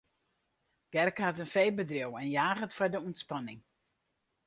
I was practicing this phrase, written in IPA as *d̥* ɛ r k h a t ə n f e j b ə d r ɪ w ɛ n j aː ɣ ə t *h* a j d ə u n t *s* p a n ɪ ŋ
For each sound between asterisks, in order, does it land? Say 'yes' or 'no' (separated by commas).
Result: no, no, yes